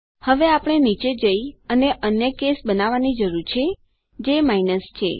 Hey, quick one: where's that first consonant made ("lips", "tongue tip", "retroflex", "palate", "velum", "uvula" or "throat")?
throat